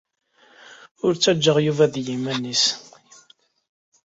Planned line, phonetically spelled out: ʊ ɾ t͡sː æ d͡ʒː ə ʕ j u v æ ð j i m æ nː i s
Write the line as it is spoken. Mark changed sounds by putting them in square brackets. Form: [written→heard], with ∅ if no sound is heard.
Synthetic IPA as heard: ʊ ɾ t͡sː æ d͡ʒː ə [ʕ→ʁ] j u v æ ð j i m æ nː i s